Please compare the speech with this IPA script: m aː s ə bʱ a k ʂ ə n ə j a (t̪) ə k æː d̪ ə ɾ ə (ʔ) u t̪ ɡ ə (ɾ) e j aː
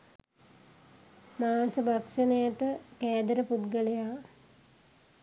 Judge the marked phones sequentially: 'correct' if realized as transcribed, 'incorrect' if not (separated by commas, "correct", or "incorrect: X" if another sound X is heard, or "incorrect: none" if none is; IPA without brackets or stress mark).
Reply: correct, incorrect: p, incorrect: l